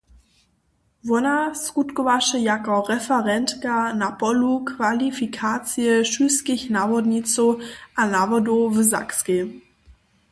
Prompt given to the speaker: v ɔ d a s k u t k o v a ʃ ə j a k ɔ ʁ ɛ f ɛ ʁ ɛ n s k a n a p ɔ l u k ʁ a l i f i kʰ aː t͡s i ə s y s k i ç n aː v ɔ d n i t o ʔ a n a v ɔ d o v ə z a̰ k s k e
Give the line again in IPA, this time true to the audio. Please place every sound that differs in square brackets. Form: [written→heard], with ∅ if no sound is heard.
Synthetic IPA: v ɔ [d→n] a s k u t k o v a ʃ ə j a k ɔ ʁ ɛ f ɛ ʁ ɛ n [s→t] k a n a p ɔ l u k [ʁ→v] a l i f i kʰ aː t͡s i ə [s→ʃ] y s k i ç n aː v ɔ d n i [t→t͡s] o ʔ a n a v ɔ d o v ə z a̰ k s k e